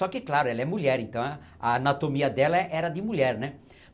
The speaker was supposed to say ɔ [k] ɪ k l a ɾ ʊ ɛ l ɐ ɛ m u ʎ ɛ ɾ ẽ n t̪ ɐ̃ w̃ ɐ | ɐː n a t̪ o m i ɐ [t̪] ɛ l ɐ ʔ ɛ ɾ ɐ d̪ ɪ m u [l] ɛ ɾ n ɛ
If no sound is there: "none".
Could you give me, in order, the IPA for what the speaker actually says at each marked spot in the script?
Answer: k, d̪, ʎ

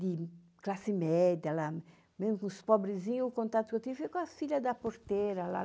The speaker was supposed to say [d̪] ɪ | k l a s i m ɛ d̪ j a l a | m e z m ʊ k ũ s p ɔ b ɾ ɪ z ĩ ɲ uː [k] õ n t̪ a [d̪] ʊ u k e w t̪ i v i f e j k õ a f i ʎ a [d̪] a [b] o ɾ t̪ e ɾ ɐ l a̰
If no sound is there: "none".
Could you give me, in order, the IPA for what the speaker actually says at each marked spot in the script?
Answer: d̪, k, t̪, d̪, p

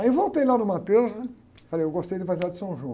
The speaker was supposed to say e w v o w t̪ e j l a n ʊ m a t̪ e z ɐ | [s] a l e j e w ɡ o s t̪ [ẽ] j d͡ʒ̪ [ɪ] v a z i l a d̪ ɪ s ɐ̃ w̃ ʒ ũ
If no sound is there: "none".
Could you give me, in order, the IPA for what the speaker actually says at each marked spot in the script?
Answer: f, e, ɪ

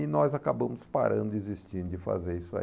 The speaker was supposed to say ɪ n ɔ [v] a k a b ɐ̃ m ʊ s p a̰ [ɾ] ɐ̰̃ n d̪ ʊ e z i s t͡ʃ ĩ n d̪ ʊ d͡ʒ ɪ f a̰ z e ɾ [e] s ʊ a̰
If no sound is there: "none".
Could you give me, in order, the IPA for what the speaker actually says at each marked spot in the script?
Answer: z, ɾ, i

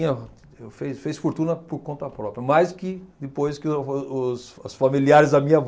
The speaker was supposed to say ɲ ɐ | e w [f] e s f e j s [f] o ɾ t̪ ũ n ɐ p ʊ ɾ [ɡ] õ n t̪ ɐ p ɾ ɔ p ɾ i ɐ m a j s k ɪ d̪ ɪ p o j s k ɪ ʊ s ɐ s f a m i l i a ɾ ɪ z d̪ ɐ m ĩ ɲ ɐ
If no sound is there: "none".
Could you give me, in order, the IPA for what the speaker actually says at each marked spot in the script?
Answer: f, f, k

